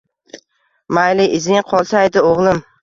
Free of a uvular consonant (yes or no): no